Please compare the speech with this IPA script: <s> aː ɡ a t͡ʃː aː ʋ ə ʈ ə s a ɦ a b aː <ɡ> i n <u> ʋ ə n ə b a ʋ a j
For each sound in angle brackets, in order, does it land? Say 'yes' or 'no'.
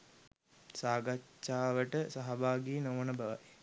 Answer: yes, yes, no

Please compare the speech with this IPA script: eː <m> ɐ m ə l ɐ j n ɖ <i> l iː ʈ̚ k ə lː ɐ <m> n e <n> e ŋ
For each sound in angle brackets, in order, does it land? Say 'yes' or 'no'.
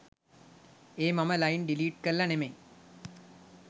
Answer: yes, yes, no, no

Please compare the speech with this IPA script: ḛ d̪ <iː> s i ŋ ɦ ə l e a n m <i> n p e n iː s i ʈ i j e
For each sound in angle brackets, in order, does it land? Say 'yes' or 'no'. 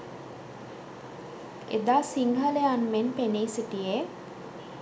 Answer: no, no

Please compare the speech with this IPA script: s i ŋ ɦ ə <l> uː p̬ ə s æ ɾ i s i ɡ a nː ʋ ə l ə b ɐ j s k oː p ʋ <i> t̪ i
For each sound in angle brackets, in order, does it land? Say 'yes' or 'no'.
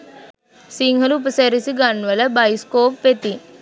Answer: yes, no

